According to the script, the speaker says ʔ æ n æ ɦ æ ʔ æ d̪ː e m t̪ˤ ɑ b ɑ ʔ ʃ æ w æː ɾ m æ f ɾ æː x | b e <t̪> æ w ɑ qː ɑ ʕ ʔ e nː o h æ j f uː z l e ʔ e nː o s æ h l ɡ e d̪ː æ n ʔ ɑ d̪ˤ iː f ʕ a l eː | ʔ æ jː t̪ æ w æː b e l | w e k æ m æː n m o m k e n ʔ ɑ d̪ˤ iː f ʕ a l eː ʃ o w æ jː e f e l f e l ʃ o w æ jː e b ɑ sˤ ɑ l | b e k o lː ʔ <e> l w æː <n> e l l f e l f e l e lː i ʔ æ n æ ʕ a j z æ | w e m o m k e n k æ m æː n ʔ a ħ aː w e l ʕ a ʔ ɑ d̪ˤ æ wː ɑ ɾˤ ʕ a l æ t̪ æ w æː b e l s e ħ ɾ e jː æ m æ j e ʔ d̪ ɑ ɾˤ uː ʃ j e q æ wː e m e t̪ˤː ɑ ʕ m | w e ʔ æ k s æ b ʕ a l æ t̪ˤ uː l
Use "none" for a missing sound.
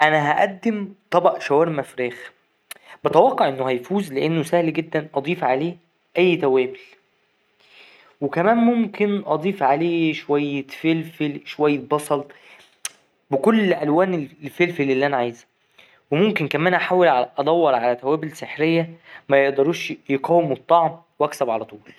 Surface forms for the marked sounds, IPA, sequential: t̪, æ, n

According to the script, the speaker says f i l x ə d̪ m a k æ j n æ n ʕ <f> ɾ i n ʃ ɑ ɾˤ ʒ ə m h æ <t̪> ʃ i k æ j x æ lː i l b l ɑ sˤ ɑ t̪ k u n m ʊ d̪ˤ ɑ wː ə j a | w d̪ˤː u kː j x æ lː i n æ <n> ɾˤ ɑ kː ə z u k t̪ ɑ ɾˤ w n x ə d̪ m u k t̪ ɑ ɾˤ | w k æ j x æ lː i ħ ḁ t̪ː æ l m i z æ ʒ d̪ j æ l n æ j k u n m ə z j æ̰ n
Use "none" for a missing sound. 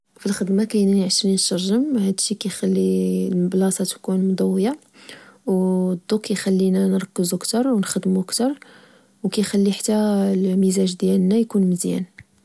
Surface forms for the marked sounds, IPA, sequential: ʃ, d̪, n

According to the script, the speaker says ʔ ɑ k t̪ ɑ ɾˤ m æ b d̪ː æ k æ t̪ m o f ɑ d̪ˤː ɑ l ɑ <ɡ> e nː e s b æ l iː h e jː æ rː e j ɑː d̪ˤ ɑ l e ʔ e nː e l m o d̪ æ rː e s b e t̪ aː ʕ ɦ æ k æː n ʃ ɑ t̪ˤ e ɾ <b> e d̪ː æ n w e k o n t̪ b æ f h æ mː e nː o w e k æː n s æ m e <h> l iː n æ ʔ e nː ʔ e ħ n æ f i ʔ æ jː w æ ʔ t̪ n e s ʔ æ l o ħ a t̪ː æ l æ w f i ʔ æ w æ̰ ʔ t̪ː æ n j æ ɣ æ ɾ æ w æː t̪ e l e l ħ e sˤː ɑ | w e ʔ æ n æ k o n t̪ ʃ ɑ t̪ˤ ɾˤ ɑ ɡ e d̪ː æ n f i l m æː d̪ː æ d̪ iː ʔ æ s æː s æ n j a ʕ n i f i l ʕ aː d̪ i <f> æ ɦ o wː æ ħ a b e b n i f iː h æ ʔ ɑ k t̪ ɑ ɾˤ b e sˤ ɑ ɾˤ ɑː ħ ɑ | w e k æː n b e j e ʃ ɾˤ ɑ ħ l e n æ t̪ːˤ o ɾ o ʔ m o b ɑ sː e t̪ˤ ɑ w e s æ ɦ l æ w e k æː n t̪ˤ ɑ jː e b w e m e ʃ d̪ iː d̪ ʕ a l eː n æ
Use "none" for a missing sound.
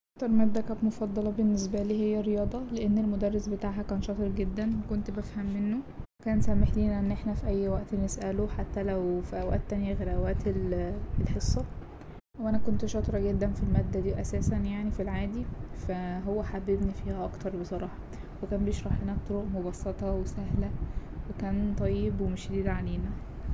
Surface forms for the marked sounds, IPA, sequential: b, ɡ, ħ, f

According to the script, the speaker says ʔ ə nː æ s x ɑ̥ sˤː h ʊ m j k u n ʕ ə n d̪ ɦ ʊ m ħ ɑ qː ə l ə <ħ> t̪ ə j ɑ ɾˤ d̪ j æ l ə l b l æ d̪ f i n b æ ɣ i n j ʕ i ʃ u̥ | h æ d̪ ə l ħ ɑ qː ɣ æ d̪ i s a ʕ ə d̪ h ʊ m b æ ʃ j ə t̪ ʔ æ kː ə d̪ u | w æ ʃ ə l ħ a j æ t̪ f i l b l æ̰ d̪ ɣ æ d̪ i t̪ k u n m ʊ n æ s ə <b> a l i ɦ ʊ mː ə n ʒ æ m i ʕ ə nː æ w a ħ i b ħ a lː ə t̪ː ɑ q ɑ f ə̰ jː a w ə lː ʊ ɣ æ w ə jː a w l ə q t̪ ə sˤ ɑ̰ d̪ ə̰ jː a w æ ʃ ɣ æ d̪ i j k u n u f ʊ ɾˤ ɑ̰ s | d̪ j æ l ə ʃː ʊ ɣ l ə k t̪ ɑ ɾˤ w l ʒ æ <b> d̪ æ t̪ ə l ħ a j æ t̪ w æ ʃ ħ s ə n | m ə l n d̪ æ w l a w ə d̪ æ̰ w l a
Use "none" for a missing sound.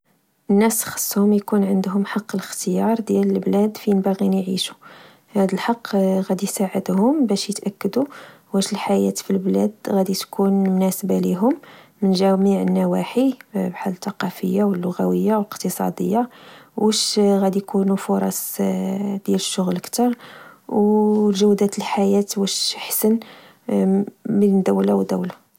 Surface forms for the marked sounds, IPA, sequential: x, b, w

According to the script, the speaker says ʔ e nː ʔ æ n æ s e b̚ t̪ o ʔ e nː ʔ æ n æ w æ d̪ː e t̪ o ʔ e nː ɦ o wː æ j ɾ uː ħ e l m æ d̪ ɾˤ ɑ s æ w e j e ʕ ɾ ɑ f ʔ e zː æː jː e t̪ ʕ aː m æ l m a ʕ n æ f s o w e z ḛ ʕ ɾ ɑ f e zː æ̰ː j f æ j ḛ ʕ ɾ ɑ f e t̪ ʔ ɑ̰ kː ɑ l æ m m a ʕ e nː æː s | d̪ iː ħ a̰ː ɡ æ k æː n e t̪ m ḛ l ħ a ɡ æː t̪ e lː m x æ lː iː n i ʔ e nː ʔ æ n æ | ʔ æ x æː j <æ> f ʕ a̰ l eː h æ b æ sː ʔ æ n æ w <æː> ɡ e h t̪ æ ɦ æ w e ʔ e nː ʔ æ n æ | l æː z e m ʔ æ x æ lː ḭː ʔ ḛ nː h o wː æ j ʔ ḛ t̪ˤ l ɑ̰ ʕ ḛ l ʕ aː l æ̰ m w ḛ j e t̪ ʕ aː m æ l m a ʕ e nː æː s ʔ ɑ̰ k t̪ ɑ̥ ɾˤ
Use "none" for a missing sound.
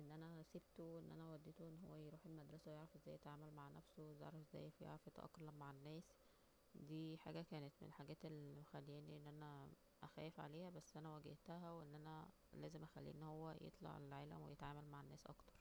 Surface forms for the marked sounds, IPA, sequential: e, æ

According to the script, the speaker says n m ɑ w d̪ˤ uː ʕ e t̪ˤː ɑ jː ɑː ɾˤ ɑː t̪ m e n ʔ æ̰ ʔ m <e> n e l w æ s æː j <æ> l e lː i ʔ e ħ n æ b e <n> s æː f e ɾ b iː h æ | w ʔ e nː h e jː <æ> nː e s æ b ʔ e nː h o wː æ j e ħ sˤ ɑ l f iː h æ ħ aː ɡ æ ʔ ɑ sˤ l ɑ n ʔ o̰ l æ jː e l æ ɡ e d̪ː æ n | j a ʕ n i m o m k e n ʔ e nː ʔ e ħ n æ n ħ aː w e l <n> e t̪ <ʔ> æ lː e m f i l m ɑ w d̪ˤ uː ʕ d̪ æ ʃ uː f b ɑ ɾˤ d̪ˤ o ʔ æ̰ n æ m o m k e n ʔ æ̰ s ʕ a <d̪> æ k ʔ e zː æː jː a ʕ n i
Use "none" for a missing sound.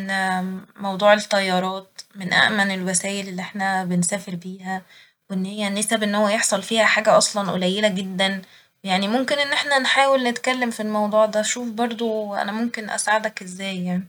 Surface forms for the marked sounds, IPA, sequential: æ, e, n, æ, n, k, d̪

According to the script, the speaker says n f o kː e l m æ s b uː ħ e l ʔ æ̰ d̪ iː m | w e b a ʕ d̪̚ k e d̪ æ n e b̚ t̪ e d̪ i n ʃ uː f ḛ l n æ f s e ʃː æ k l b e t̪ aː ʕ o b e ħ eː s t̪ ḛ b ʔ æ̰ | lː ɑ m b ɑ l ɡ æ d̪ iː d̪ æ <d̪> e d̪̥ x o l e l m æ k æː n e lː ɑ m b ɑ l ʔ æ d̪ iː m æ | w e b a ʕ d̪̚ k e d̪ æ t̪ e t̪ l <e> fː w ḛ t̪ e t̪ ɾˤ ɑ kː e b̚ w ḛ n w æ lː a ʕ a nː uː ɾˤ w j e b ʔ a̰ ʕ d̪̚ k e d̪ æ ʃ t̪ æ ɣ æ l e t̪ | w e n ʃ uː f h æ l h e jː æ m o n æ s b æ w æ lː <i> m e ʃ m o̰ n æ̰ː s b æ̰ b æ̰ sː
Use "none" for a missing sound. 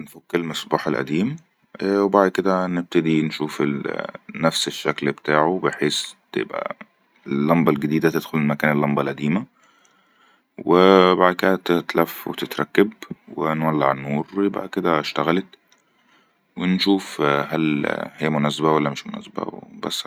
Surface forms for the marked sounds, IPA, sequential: t̪, æ, æ

